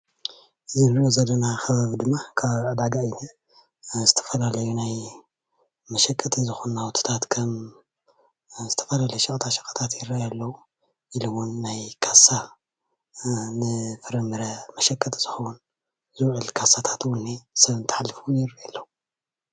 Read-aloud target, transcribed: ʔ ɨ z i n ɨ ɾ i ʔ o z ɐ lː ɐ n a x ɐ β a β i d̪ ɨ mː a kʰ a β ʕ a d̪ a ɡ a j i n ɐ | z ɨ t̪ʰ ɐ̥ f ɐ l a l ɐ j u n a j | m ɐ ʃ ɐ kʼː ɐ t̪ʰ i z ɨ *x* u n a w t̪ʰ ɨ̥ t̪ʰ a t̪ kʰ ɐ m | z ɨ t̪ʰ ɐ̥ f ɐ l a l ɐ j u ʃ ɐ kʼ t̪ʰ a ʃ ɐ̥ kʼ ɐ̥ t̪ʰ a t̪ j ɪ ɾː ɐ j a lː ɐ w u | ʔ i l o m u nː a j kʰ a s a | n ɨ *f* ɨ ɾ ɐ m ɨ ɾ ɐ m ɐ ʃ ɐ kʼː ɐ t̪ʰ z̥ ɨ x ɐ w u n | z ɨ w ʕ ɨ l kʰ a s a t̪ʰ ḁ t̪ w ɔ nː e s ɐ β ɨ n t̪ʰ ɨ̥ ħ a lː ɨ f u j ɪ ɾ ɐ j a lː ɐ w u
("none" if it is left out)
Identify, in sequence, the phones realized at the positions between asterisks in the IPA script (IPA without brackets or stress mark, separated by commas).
x, f